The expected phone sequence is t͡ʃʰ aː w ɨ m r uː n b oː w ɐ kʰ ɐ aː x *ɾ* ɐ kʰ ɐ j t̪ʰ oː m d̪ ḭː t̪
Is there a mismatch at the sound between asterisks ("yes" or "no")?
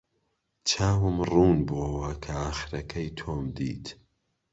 no